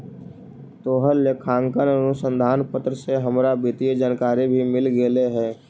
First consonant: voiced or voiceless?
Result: voiceless